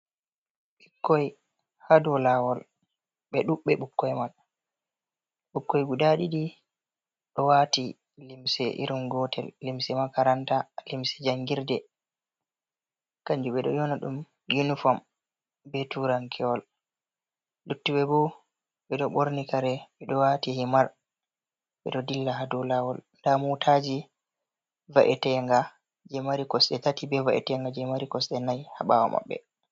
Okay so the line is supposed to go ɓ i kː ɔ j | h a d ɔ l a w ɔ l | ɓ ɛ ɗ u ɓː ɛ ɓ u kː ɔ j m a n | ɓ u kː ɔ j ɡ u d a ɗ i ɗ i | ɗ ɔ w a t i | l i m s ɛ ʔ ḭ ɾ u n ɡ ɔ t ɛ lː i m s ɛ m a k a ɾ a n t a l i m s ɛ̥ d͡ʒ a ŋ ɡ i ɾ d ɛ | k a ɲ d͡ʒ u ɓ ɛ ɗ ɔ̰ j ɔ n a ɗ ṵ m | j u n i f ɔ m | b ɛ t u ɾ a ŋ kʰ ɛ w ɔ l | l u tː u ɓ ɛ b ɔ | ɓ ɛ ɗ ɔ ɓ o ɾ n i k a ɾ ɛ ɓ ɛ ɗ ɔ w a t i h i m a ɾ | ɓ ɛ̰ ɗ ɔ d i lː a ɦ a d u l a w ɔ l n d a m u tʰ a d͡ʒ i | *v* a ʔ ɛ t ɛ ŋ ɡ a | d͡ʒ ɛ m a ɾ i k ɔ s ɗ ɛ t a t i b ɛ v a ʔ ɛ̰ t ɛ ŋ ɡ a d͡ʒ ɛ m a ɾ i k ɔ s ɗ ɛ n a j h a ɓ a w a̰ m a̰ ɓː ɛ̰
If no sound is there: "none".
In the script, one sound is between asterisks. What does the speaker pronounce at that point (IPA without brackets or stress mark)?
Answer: v